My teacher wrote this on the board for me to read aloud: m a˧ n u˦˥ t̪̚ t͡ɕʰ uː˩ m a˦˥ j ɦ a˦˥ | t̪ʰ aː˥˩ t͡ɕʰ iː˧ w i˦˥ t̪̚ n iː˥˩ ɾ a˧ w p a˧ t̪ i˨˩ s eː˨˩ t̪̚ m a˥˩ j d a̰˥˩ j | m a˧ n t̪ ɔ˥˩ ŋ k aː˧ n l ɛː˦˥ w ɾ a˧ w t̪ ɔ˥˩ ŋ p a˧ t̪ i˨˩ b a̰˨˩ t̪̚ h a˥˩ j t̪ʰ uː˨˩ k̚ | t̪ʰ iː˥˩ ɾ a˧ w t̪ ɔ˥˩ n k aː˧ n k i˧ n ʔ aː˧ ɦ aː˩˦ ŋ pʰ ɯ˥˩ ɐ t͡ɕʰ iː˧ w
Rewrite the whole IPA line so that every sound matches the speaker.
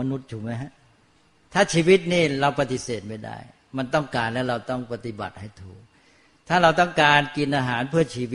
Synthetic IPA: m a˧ n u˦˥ t̪̚ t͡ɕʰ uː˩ m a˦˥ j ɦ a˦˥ | t̪ʰ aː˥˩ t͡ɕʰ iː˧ w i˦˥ t̪̚ n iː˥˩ ɾ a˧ w p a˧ t̪ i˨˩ s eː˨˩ t̪̚ m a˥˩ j d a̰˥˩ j | m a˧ n t̪ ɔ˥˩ ŋ k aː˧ n l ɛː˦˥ w ɾ a˧ w t̪ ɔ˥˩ ŋ p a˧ t̪ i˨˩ b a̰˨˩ t̪̚ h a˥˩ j t̪ʰ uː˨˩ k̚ | t̪ʰ aː˥˩ ɾ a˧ w t̪ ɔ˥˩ ŋ k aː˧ n k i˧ n ʔ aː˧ ɦ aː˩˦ n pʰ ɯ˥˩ ɐ t͡ɕʰ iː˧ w